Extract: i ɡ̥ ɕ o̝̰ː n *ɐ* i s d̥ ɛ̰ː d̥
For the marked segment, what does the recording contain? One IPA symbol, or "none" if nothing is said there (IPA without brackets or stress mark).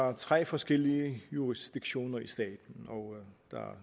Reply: ɐ